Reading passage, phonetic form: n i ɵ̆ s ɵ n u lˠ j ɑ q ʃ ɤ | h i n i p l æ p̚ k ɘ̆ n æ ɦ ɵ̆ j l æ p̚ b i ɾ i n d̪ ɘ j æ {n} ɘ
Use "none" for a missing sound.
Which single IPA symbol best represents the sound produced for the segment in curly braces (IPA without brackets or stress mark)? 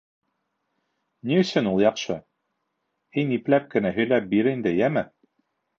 m